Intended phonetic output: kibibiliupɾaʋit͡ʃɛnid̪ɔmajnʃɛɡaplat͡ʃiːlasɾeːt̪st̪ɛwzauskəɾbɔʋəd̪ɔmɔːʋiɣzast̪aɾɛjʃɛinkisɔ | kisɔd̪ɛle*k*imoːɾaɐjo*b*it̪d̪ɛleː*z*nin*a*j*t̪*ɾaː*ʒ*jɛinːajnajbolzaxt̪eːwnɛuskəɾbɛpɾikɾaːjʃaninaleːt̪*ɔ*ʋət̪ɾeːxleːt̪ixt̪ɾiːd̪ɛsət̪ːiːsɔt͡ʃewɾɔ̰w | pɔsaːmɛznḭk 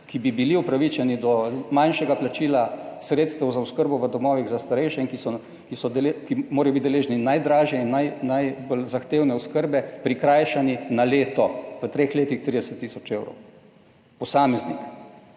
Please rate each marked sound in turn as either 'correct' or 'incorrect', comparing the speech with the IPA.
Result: correct, correct, incorrect, correct, incorrect, correct, correct

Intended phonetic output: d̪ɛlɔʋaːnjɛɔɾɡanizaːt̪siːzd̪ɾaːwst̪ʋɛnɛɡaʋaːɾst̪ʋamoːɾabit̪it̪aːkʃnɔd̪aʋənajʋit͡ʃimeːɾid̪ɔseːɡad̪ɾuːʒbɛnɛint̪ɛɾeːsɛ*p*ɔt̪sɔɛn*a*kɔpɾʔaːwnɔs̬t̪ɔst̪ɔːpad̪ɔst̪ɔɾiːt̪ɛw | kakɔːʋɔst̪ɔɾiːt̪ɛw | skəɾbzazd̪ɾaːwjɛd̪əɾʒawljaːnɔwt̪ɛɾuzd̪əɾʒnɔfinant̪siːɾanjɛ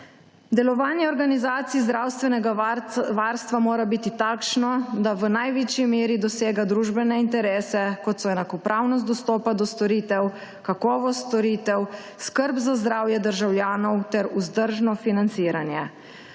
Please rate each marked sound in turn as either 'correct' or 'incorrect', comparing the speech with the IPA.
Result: incorrect, correct

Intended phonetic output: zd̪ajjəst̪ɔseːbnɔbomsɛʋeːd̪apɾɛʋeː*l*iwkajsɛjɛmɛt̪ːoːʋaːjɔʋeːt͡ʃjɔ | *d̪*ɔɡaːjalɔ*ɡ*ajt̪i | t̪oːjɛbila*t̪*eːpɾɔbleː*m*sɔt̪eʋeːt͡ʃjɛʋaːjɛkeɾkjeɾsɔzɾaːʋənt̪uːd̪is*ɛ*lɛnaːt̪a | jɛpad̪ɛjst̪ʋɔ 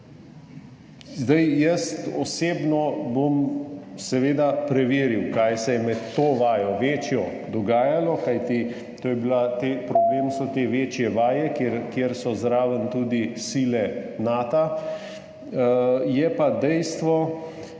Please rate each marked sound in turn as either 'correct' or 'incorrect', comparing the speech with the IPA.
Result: incorrect, correct, incorrect, correct, correct, incorrect

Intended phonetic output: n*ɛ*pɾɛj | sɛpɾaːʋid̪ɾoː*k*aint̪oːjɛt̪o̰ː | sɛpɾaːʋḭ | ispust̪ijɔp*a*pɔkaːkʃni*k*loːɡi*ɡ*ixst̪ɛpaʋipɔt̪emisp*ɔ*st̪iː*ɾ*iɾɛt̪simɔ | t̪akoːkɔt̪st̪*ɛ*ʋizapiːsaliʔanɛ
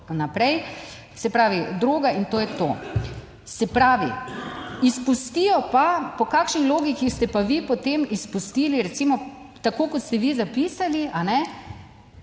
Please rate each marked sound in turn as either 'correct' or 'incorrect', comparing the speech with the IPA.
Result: incorrect, incorrect, correct, incorrect, incorrect, incorrect, incorrect, correct

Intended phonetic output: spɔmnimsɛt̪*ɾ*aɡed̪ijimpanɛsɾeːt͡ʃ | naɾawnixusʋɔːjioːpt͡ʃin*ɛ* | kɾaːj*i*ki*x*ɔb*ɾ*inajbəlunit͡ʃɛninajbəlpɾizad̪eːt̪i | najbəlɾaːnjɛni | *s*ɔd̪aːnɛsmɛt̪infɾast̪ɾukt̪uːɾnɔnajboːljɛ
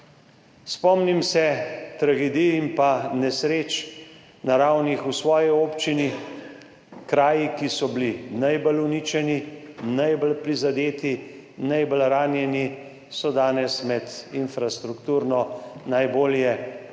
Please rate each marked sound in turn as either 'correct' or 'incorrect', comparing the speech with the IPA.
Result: correct, incorrect, correct, incorrect, incorrect, correct

